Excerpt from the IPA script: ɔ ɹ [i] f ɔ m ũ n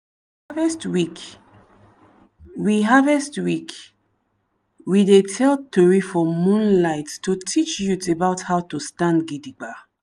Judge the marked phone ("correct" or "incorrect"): correct